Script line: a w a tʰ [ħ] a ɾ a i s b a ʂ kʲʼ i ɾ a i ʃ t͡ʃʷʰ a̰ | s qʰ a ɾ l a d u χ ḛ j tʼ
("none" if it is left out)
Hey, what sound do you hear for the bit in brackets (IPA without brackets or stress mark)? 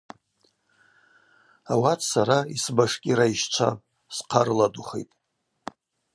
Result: s